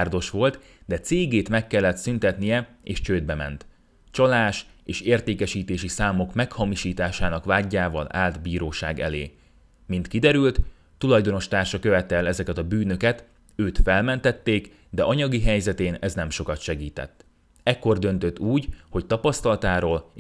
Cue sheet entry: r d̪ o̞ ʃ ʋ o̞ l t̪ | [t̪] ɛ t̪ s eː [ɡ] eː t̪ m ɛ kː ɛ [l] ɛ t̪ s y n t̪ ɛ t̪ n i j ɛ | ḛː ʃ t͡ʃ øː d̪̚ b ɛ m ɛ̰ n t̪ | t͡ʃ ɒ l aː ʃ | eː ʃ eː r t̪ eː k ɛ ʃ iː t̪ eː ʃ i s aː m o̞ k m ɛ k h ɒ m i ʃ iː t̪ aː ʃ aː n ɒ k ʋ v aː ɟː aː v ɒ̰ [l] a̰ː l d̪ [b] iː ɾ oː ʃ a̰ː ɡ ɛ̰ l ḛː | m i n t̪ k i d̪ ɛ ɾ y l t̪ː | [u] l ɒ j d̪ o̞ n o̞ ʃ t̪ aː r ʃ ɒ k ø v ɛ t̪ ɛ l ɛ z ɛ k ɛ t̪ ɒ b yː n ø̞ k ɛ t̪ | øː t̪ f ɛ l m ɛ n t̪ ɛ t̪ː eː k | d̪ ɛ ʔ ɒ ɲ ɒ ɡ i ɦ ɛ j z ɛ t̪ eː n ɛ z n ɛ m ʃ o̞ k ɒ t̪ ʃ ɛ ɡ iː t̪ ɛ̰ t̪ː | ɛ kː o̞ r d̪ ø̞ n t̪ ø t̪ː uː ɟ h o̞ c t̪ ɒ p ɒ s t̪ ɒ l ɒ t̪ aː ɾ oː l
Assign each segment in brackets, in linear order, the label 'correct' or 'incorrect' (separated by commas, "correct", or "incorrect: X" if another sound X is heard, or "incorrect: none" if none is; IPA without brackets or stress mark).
incorrect: d̪, correct, incorrect: lː, correct, correct, correct